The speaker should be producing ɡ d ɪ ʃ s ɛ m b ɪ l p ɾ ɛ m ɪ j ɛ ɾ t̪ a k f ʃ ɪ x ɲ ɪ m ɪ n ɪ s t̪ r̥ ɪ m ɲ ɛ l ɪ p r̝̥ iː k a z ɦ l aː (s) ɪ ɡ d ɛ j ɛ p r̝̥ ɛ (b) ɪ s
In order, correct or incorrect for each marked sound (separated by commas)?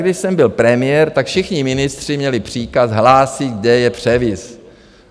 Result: correct, incorrect